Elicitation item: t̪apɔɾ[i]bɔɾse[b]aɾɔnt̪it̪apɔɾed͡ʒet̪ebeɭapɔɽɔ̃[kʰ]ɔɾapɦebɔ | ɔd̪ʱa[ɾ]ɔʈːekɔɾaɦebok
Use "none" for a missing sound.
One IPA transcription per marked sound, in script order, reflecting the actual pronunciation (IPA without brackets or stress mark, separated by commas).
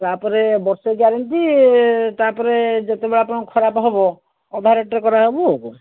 e, ɡ, kʰ, ɾ